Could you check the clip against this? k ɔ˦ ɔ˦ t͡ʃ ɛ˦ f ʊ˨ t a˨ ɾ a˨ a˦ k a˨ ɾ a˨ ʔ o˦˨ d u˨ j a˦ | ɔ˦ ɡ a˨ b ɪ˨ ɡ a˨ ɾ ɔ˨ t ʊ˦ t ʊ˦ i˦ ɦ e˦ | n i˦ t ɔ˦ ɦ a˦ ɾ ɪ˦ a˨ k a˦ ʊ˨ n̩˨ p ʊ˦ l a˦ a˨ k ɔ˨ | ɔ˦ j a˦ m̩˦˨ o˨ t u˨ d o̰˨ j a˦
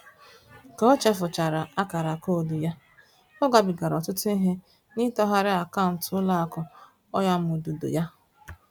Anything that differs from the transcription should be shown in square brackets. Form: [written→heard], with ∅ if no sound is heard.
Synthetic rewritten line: k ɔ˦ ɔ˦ t͡ʃ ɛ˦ f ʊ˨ [t→t͡ʃ] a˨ ɾ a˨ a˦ k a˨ ɾ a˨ [ʔ→k] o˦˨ d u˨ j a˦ | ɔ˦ ɡ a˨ b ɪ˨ ɡ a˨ ɾ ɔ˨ t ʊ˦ t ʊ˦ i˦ ɦ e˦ | n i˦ t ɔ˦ ɦ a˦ ɾ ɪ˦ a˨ k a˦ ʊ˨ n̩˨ [p→t] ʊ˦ l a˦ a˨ k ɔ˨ | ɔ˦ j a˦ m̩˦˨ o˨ [t→d] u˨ d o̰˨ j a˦